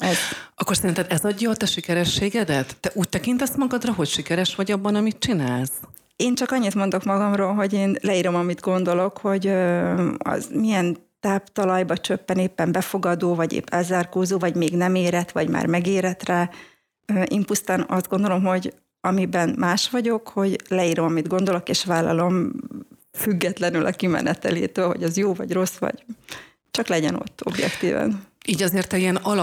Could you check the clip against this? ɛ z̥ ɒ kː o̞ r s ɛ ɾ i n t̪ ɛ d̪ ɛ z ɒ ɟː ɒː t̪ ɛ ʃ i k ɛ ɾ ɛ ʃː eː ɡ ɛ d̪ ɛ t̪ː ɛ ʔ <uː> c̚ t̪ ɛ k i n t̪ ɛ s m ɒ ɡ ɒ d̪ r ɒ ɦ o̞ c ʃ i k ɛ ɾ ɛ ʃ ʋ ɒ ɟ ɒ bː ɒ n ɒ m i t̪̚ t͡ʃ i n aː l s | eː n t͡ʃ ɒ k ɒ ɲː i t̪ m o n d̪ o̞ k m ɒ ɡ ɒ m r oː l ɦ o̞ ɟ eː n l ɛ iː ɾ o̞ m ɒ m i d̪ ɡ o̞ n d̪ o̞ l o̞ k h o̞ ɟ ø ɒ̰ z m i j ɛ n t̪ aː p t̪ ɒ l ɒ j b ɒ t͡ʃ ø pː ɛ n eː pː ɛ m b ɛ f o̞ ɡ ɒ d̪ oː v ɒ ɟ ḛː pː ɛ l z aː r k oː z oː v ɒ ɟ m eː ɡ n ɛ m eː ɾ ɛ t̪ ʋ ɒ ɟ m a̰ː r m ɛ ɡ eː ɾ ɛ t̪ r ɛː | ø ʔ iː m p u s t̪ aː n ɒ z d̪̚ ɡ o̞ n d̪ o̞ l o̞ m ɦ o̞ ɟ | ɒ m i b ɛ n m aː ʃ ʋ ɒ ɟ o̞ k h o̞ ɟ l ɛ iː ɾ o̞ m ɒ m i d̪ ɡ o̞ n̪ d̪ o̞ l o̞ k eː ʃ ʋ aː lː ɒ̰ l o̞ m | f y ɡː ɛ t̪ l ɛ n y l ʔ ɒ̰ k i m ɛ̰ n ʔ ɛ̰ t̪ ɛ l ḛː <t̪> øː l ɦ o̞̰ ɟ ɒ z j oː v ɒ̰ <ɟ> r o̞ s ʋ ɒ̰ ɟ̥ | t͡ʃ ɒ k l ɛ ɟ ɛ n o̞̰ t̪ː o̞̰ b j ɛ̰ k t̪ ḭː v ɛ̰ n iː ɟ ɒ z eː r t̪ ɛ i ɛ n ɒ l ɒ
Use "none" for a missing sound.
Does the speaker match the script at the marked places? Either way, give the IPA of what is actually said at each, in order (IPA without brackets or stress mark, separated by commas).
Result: uː, t̪, ɟ